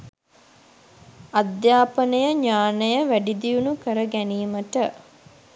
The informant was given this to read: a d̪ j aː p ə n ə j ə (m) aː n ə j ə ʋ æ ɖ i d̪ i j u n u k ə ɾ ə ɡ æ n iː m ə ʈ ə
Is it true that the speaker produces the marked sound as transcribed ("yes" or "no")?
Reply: no